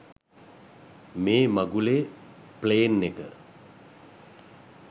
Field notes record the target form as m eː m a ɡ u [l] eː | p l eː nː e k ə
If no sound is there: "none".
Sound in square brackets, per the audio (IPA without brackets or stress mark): l